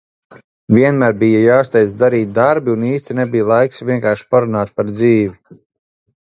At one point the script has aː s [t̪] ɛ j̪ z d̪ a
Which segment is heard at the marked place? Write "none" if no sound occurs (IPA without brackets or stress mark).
t̪